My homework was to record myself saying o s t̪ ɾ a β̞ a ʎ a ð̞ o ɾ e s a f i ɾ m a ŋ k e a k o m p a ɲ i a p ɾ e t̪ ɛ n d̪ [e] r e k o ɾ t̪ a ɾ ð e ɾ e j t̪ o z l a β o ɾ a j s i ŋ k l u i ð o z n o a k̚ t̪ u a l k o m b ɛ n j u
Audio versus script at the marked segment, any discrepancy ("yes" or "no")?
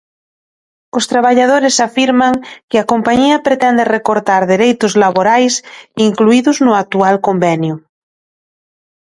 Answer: no